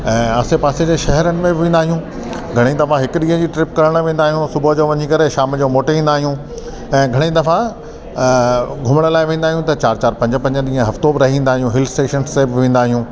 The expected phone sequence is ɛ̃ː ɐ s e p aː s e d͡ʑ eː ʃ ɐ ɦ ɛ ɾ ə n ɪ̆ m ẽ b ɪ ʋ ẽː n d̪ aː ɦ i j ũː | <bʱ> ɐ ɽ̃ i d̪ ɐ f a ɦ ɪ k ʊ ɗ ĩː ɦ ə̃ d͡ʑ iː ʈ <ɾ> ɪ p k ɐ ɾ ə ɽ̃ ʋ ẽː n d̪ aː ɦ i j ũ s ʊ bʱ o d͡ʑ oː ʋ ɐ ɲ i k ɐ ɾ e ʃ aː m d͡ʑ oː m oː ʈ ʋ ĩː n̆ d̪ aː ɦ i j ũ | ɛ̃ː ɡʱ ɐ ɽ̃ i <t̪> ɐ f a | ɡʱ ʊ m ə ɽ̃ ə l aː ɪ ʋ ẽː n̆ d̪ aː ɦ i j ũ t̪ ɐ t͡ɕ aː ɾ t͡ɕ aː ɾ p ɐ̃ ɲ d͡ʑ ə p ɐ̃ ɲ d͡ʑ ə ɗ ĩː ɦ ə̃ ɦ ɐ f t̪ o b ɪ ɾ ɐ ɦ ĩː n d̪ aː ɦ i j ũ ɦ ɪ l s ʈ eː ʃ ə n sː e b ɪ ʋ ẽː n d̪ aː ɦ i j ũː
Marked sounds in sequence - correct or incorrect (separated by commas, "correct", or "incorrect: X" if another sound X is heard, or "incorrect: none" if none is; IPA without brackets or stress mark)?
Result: incorrect: ɡʱ, correct, incorrect: d̪